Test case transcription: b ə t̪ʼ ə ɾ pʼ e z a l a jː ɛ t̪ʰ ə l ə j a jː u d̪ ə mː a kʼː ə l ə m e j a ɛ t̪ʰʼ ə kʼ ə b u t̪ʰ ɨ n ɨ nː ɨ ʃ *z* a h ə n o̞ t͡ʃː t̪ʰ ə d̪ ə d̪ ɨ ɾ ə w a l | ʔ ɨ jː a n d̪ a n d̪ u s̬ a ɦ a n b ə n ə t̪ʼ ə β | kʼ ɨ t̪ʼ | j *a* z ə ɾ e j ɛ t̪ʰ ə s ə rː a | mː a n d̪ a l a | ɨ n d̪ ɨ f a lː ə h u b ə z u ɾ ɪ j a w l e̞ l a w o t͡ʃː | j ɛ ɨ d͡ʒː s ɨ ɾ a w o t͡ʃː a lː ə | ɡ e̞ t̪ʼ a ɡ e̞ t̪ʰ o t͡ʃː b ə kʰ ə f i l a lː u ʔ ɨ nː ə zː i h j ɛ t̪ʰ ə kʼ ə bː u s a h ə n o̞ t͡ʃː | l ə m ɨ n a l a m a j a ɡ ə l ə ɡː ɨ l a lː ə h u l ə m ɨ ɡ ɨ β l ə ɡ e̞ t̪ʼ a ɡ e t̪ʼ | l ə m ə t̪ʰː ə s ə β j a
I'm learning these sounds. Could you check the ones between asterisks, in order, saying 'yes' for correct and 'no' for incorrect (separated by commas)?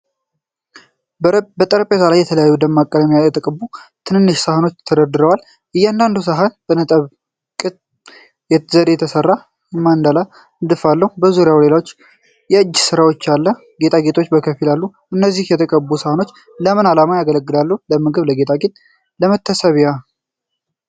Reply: no, no